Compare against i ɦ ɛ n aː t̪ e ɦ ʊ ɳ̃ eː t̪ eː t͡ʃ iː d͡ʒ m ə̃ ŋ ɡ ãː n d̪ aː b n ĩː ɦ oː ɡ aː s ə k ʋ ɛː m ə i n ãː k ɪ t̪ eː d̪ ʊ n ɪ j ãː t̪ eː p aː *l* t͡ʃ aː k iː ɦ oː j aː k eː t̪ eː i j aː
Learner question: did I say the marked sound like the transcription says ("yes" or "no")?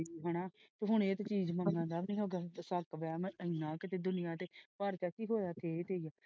no